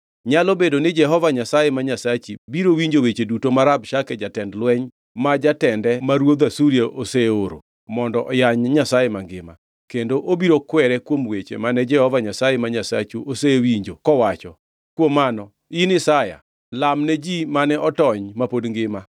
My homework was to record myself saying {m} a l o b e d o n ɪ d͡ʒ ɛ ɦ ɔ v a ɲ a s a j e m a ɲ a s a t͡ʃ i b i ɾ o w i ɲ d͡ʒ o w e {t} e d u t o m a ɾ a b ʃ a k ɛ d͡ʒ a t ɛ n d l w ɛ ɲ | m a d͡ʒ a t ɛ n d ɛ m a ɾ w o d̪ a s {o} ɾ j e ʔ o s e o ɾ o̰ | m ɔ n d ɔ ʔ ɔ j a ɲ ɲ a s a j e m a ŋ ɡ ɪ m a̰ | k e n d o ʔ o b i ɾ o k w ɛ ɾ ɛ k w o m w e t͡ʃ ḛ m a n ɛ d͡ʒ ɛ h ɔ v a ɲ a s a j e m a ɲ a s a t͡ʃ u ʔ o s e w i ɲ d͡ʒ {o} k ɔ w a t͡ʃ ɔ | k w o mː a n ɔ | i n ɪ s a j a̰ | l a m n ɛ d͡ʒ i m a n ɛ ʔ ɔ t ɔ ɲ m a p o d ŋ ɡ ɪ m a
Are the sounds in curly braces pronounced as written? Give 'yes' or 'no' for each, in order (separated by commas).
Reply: no, no, no, yes